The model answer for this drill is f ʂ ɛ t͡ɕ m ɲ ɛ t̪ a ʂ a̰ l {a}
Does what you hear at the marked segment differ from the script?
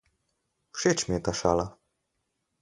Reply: no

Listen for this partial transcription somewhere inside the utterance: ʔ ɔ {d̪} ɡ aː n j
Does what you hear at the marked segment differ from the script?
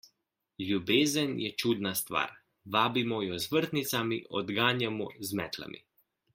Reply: no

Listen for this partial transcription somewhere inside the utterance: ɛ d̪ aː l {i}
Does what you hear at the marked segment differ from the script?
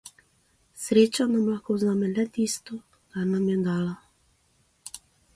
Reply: yes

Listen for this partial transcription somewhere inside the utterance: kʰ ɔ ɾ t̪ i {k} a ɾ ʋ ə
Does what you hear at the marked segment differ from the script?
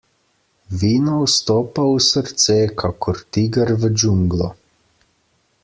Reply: yes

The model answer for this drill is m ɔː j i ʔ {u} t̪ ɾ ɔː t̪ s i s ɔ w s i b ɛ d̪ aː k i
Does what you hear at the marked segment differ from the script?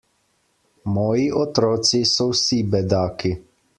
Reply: yes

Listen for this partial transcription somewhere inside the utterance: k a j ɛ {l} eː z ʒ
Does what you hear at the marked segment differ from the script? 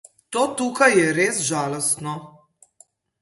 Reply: yes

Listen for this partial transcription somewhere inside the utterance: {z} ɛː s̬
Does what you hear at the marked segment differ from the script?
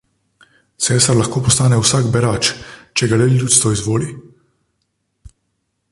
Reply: yes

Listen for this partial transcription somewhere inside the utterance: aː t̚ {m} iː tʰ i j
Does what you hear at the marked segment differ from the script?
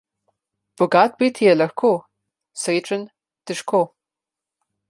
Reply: yes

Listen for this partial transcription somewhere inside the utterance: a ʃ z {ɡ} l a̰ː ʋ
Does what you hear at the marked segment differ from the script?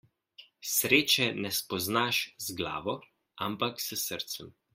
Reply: no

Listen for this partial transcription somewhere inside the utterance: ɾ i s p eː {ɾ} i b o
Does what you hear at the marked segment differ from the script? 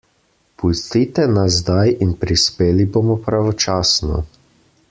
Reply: yes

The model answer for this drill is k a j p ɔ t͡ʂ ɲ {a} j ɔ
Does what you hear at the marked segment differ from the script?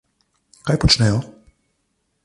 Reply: yes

